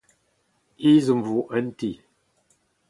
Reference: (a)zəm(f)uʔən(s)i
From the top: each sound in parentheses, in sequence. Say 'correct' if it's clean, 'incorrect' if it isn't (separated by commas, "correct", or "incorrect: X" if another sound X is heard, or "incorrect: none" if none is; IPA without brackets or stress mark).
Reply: incorrect: i, incorrect: v, incorrect: t